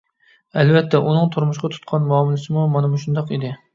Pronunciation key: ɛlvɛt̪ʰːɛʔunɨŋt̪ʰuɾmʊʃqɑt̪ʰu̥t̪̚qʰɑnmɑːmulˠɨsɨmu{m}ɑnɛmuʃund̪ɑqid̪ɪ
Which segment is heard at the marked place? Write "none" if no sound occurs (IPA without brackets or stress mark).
m